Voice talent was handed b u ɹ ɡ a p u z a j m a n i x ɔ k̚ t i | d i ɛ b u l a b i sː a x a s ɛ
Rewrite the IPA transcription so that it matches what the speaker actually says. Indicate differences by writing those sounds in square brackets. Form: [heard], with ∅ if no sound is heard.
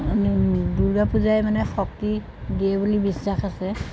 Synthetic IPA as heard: [d] u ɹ ɡ a p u z a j m a n [ɛ] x ɔ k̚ t i | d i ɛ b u l [i] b i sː a x a s ɛ